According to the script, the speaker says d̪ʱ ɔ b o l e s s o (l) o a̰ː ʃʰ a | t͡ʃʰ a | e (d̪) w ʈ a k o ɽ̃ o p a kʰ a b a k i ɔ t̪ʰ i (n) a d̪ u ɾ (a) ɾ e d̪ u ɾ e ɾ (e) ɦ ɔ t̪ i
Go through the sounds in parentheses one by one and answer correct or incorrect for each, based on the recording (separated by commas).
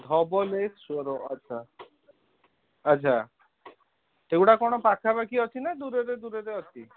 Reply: incorrect, incorrect, correct, incorrect, correct